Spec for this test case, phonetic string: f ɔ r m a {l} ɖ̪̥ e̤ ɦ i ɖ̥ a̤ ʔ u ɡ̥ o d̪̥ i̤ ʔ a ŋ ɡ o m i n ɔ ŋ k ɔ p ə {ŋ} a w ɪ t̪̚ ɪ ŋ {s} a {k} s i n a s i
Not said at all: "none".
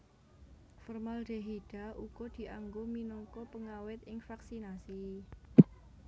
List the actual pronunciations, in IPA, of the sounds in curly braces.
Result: l, ŋ, f, k

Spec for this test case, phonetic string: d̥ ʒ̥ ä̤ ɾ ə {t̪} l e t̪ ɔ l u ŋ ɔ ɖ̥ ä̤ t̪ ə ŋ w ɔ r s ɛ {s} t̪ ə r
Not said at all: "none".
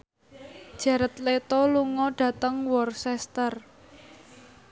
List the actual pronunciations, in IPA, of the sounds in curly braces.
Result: t̪, s

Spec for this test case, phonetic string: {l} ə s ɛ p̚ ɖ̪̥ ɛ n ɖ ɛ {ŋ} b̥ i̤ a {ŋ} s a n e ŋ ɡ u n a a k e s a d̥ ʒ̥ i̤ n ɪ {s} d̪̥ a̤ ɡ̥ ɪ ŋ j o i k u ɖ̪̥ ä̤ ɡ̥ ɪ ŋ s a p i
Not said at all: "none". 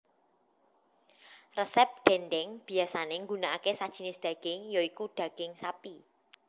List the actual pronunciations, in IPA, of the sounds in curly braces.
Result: r, ŋ, none, s

